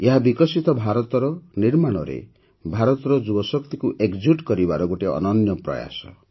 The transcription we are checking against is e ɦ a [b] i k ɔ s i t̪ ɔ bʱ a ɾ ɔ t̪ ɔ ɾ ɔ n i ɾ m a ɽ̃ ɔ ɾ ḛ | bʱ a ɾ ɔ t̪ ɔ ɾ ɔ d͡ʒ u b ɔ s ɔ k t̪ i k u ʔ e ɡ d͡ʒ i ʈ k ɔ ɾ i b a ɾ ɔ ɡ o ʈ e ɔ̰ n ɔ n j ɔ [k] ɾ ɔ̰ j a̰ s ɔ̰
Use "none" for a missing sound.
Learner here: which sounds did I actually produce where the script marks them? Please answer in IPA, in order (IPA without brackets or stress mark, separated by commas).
b, p